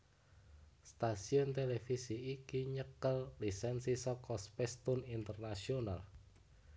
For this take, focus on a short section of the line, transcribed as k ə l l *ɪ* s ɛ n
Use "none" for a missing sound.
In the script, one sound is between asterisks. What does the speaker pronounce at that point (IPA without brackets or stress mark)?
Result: i